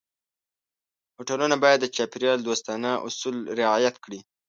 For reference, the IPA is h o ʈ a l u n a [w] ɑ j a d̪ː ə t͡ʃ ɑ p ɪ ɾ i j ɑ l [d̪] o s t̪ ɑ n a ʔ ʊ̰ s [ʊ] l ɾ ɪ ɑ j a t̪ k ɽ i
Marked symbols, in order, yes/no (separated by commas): no, yes, no